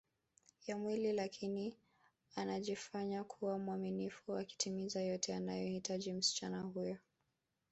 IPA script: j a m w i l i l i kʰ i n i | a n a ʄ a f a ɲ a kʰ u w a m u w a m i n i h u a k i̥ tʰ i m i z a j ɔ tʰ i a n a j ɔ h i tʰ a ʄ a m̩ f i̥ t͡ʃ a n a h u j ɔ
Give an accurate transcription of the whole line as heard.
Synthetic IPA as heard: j a m w i l i l a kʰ i n i | a n a ʄ i f a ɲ a kʰ u w a m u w a m i n i f u a k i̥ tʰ i m i z a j ɔ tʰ ɛ a n a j ɔ h i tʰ a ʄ i m̩ s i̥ t͡ʃ a n a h u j ɔ